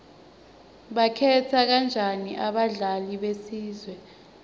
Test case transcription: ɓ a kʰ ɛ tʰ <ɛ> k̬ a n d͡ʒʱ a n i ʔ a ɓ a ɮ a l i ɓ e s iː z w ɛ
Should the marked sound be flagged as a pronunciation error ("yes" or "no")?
yes